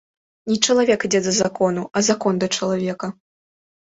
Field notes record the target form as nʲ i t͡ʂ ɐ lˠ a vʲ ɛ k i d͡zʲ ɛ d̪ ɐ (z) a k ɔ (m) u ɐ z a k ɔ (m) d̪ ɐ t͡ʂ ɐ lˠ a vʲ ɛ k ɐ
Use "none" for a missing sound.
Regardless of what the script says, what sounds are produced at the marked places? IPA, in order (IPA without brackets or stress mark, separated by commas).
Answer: z, n, n